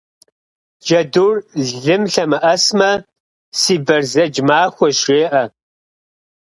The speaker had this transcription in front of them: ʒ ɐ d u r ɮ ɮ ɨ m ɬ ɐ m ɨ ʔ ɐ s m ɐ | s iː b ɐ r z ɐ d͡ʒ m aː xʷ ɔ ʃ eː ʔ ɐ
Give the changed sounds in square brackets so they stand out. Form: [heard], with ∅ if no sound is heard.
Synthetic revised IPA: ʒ ɐ d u r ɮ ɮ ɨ m ɬ ɐ m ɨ ʔ ɐ s m ɐ | s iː b ɐ r z ɐ d͡ʒ m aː xʷ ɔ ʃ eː ʔ ɐ